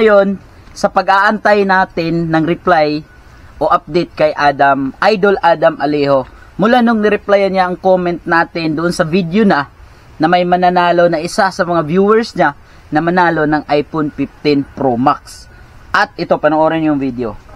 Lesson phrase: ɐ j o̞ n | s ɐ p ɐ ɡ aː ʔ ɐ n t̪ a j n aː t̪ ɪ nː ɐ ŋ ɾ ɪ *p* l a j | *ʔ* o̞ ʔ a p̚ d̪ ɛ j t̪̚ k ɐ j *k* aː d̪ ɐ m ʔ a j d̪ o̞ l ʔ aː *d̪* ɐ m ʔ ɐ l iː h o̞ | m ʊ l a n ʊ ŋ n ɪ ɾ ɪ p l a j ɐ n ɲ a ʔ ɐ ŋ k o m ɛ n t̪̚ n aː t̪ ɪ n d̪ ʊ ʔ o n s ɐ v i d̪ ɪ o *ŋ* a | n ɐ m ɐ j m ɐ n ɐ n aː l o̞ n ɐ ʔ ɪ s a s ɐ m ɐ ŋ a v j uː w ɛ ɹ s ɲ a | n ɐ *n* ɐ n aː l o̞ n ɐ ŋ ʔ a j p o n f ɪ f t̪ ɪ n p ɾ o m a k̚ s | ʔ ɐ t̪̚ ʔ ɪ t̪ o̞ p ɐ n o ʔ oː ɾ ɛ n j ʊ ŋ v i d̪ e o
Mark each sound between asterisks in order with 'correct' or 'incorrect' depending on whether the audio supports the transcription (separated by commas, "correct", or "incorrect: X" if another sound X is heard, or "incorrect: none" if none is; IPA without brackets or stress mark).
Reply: correct, correct, incorrect: ʔ, correct, incorrect: n, incorrect: m